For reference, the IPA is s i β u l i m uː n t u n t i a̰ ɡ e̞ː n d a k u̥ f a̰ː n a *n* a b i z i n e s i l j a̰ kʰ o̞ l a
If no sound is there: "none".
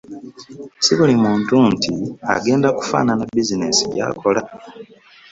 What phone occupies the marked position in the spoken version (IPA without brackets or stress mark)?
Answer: n